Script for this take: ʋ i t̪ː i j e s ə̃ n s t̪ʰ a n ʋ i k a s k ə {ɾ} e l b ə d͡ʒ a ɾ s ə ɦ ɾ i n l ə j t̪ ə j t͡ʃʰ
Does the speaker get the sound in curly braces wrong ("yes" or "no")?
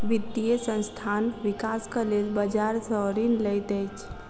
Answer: yes